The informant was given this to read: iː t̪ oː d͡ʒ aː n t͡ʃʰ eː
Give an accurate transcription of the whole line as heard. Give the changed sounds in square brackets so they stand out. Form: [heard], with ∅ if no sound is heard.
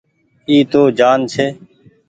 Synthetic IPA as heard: iː t̪ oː d͡ʒ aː n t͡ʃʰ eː

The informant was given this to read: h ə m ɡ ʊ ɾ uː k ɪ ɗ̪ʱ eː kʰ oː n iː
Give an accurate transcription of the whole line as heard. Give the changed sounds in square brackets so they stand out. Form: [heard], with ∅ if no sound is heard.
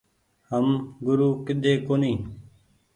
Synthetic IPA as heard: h ə m ɡ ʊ ɾ uː k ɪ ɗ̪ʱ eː [k] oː n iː

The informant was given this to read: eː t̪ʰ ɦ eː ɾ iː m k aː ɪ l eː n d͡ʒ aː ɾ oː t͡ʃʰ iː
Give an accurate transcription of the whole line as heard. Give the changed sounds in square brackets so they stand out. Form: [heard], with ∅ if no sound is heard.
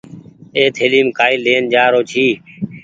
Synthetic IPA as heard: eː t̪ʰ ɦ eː [l] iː m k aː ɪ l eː n d͡ʒ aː ɾ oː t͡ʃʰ iː

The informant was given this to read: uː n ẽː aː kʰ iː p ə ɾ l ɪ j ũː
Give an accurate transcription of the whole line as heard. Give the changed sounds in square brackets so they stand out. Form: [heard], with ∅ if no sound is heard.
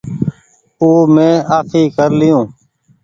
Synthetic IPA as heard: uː [m] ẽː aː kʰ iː [k] ə ɾ l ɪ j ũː

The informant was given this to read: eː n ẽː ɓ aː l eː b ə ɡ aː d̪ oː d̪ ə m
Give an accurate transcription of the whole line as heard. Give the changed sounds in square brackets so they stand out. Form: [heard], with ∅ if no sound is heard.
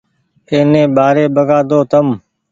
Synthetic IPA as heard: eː n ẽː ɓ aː [ɾ] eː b ə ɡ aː d̪ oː [t̪] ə m

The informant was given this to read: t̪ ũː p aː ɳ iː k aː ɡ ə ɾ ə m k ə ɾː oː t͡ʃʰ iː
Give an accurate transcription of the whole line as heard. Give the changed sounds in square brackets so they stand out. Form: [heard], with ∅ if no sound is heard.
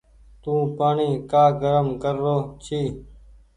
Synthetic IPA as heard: t̪ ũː p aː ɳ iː k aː ɡ ə ɾ ə m k ə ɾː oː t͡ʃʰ iː

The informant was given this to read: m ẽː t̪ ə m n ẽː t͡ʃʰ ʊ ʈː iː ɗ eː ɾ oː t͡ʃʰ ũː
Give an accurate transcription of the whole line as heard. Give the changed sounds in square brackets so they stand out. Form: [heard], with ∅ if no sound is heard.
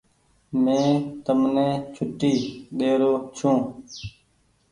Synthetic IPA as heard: m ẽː t̪ ə m n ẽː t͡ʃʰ ʊ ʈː iː ɗ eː ɾ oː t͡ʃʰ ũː

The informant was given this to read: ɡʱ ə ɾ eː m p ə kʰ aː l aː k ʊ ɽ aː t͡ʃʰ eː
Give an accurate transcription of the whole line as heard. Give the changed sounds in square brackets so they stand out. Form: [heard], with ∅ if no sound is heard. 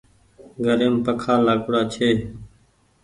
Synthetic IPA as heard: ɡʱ ə ɾ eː m p ə kʰ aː l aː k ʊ ɽ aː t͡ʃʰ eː

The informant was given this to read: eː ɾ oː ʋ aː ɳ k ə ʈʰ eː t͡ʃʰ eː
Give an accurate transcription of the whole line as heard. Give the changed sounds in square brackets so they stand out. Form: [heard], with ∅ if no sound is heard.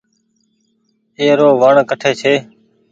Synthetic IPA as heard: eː ɾ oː ʋ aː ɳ k ə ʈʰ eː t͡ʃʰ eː

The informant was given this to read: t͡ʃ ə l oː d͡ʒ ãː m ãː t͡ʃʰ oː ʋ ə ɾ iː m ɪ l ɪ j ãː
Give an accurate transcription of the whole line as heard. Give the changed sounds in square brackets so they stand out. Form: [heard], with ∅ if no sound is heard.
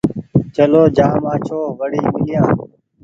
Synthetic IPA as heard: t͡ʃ ə l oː d͡ʒ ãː m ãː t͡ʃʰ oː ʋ ə [ɽ] iː m ɪ l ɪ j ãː

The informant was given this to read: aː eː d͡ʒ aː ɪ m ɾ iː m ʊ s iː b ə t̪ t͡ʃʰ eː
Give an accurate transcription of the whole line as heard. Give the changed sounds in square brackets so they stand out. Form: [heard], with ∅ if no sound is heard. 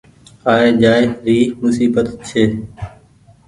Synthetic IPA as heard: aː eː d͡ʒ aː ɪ [∅] ɾ iː m ʊ s iː b ə t̪ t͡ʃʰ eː

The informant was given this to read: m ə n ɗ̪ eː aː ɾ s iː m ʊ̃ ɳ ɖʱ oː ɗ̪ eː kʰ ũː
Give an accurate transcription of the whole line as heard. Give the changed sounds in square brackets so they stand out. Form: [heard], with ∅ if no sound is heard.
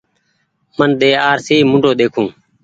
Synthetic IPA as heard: m ə n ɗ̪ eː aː ɾ s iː m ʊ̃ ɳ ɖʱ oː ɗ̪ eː kʰ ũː

